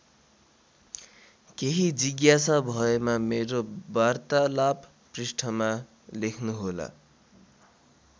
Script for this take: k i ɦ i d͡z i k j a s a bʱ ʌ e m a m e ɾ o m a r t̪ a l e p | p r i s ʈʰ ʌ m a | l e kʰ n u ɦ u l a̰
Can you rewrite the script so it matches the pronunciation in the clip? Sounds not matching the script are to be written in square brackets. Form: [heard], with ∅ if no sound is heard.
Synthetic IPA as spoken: k [e] ɦ i d͡z i [ɡ] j a s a bʱ ʌ e m a m e ɾ o [b] a r t̪ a l [a] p | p r i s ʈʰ ʌ m a | l e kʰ n u ɦ [o] l a̰